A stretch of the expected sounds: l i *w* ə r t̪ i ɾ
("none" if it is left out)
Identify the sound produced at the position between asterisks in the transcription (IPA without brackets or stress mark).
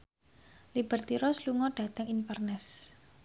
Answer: b